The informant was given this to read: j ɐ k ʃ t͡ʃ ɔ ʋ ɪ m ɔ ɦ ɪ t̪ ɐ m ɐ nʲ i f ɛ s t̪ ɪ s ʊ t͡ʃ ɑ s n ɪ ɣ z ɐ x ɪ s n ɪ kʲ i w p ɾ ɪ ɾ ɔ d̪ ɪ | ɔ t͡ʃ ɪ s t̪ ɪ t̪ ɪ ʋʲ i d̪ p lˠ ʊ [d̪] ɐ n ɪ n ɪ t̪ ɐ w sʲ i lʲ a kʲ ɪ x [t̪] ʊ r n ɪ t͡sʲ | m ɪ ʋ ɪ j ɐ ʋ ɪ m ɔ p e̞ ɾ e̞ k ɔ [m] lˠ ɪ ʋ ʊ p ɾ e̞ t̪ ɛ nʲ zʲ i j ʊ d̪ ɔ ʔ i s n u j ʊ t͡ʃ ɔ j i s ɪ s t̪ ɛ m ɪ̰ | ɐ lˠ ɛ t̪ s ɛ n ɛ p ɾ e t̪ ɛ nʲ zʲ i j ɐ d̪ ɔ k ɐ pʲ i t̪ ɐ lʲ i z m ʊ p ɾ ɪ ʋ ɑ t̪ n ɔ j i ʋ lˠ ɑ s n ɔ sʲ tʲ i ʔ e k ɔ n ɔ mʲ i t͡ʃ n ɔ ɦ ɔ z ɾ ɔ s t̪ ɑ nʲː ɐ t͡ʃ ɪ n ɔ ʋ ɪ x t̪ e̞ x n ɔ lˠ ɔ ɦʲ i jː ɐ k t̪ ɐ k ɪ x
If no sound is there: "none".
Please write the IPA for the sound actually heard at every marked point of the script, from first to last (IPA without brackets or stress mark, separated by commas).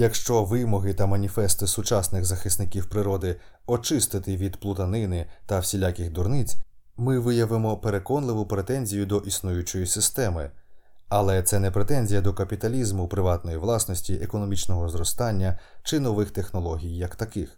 t̪, d̪, n